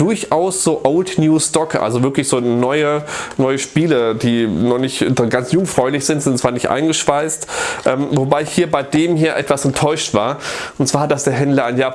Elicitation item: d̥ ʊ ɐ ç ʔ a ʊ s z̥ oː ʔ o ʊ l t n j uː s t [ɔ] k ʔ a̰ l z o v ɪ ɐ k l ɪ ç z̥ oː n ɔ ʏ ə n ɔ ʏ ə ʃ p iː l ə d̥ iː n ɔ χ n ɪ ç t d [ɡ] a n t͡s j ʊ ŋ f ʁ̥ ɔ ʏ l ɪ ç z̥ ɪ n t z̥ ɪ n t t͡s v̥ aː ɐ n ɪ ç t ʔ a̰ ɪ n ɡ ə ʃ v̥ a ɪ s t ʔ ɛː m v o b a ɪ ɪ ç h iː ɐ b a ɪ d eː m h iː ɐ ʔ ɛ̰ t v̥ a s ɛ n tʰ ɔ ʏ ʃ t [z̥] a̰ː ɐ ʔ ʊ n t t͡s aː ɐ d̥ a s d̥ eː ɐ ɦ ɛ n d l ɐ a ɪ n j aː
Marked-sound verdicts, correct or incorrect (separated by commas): correct, correct, incorrect